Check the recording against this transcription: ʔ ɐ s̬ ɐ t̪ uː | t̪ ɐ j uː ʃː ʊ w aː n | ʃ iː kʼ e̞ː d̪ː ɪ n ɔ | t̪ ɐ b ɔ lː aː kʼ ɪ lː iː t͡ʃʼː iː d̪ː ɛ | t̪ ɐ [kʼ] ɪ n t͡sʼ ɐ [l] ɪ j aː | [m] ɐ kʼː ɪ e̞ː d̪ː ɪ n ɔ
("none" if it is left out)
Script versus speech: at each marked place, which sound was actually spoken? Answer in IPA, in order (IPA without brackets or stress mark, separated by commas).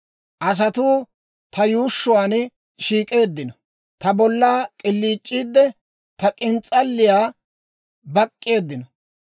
kʼ, lː, b